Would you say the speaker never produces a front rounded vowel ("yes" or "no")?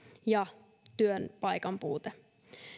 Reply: no